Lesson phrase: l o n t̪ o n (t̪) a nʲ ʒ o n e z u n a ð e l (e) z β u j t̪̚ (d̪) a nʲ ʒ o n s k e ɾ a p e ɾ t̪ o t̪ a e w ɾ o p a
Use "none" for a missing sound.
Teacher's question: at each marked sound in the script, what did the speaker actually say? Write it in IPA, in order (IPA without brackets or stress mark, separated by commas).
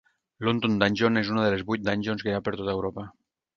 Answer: d̪, e, d̪